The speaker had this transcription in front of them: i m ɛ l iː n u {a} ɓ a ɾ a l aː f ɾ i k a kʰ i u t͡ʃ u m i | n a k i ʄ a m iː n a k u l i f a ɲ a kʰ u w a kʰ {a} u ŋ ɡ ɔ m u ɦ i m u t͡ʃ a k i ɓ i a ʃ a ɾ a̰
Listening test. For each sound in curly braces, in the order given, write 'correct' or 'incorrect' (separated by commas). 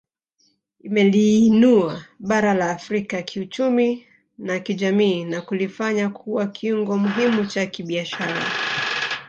correct, incorrect